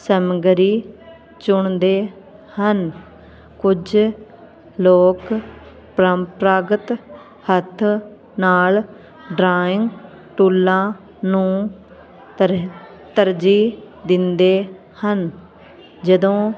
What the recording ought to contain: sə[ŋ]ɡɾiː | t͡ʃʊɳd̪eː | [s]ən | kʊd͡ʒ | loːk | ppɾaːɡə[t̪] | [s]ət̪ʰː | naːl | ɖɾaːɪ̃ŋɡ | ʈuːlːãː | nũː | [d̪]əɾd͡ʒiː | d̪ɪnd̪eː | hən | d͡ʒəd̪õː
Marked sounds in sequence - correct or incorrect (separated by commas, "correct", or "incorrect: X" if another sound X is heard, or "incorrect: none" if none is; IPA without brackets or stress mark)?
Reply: incorrect: m, incorrect: h, correct, incorrect: h, incorrect: t̪